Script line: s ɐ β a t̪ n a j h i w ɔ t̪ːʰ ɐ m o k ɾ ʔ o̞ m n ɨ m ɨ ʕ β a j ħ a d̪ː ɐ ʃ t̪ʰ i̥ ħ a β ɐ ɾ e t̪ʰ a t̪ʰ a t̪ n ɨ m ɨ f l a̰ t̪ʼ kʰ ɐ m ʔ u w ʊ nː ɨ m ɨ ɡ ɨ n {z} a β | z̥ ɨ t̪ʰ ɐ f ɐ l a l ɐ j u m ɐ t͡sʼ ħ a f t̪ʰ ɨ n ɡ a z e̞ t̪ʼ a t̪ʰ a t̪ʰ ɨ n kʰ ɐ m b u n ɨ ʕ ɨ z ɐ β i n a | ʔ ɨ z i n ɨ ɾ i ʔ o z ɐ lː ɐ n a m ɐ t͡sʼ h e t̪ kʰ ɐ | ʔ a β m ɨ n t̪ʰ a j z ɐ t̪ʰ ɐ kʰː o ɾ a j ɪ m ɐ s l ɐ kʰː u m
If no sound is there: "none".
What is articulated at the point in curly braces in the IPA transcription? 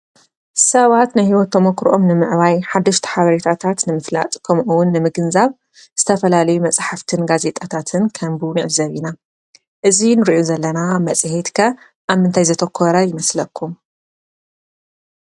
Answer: z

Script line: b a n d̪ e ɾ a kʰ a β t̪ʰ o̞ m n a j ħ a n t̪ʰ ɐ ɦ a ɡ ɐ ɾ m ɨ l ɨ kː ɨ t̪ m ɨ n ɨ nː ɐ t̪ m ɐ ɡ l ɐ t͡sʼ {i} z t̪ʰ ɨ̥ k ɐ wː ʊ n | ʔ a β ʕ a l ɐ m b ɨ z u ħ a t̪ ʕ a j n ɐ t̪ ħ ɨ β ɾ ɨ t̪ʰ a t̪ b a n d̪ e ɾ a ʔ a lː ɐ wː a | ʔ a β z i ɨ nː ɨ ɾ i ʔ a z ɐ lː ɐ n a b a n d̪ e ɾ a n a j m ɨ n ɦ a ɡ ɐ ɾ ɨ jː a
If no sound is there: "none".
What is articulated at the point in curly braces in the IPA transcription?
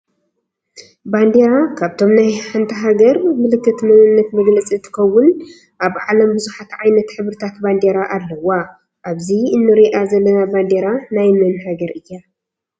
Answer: i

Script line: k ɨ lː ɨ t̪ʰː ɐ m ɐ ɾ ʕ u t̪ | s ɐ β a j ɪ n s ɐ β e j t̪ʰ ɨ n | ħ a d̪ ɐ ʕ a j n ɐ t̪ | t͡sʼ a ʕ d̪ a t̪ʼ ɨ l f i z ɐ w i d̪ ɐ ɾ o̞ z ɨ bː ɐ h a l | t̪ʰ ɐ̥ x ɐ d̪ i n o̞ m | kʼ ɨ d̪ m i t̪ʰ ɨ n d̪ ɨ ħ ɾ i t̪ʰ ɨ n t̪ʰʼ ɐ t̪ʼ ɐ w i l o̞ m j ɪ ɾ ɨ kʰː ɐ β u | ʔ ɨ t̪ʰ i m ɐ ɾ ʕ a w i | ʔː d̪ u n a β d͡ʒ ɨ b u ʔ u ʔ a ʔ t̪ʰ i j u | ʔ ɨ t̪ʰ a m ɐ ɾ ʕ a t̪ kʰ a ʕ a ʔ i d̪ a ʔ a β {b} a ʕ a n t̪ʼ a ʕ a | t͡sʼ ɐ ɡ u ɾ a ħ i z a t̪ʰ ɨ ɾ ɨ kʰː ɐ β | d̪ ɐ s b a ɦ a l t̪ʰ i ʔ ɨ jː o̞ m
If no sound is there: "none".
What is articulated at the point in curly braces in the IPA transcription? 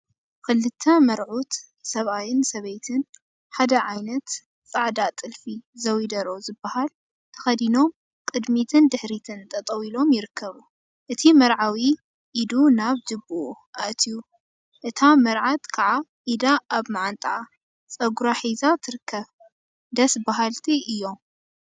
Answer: m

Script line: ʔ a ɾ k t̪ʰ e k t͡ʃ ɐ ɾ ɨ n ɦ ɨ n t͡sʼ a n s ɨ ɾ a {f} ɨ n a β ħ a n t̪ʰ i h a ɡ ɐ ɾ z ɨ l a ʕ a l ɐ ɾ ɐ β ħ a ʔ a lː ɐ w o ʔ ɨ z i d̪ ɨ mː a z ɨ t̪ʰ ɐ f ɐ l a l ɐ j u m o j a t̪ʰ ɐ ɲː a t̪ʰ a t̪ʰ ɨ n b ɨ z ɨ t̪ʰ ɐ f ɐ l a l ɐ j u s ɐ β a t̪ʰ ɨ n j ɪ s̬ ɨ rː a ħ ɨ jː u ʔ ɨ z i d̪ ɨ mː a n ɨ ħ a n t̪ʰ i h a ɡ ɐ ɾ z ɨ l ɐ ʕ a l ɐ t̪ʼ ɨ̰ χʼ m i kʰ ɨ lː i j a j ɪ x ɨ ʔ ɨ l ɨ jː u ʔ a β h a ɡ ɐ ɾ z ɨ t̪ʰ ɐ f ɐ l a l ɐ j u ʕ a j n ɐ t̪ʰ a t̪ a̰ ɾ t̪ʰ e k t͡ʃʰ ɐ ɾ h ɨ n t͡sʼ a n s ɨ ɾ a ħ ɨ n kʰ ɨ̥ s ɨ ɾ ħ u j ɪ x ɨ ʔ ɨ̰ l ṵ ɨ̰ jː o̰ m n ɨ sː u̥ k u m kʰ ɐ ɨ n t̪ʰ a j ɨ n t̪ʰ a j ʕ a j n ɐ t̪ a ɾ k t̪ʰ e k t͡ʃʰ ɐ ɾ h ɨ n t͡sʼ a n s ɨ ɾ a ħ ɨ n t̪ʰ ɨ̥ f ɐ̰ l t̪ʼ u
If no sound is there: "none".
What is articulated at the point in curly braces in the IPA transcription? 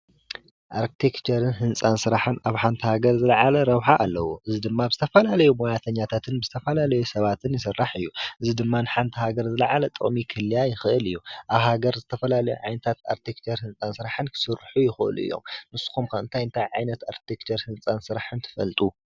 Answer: ħ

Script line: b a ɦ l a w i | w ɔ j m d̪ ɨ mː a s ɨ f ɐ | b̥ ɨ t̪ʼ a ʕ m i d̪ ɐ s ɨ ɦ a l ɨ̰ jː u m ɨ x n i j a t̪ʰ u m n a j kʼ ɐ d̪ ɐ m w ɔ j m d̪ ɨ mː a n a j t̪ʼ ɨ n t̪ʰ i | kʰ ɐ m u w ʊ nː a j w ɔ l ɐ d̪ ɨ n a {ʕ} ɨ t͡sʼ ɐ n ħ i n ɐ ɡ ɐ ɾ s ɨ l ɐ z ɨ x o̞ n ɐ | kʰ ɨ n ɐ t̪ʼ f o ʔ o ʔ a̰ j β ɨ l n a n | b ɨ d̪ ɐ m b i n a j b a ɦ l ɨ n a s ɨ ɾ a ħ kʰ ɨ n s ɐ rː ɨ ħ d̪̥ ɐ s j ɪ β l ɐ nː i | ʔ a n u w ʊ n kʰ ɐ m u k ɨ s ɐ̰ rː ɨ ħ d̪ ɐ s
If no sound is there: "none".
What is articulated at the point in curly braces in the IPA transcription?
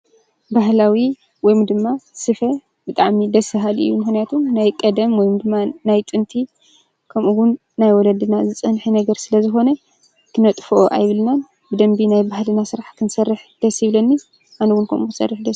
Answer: z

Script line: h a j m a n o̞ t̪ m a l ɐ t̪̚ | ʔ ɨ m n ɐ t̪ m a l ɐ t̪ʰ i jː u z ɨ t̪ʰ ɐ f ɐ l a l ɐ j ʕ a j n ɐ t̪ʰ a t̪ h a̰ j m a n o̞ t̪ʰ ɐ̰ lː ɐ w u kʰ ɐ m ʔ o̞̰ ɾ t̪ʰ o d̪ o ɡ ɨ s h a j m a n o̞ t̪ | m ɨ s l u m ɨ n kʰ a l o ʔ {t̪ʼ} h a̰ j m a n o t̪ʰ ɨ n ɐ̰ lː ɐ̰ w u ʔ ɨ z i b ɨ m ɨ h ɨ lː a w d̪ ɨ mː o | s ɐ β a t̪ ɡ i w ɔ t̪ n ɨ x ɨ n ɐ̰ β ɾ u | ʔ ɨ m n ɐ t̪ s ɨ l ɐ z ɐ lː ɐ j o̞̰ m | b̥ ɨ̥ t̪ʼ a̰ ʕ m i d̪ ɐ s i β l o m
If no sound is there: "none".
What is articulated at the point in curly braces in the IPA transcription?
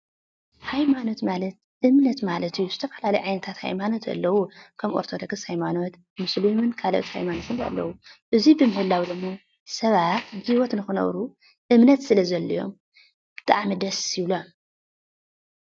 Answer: t̪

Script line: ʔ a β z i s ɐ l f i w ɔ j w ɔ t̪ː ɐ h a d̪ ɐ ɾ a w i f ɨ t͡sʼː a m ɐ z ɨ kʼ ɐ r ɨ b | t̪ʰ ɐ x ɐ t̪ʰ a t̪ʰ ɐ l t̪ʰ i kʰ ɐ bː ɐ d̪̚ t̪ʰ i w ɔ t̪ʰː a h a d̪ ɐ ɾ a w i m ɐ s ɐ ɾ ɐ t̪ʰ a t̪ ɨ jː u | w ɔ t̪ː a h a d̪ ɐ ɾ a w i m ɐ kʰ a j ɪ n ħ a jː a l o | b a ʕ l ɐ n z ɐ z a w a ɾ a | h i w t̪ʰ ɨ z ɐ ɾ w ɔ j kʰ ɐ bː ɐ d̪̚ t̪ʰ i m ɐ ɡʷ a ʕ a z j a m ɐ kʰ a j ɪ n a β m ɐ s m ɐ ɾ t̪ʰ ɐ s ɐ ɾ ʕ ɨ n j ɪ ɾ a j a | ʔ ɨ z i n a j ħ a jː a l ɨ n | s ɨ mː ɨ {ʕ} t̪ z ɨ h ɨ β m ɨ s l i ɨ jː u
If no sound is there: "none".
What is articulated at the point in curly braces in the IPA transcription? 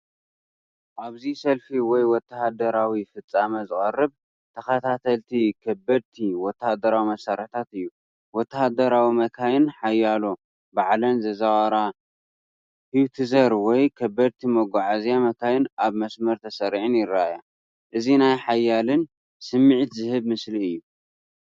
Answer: ʕ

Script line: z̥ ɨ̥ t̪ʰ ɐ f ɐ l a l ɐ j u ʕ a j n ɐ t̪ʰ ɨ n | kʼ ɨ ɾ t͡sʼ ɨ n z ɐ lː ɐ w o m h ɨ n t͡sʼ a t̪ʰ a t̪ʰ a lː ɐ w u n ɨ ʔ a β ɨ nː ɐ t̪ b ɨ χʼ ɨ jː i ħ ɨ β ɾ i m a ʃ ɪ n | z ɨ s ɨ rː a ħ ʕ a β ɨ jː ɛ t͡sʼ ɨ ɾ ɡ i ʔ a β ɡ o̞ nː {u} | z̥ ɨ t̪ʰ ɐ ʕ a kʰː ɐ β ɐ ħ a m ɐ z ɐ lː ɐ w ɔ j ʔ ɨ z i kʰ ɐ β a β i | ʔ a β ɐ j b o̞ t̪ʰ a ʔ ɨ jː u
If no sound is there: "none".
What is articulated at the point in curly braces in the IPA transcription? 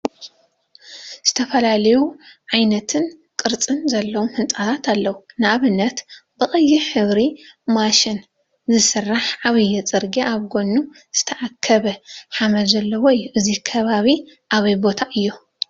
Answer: u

